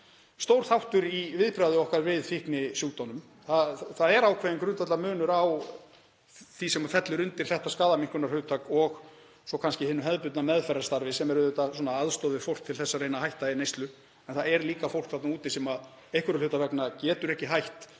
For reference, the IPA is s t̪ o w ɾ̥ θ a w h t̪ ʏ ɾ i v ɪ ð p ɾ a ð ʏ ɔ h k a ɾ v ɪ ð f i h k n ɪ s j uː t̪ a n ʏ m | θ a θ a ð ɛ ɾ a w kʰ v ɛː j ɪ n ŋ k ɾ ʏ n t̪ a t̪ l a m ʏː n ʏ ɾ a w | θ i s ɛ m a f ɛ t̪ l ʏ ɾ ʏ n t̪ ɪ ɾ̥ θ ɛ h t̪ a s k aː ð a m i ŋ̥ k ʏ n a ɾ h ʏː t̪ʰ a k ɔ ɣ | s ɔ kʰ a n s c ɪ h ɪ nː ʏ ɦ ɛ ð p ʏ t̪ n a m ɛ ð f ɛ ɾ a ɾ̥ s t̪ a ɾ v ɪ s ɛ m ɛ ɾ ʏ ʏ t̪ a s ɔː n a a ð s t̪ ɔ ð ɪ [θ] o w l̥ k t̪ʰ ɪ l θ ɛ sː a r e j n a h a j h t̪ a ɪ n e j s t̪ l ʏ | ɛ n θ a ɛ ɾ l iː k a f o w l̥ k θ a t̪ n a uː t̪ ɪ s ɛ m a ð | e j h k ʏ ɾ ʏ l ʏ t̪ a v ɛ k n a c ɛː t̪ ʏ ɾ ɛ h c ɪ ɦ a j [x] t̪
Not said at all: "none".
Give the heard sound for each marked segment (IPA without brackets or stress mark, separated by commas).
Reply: f, h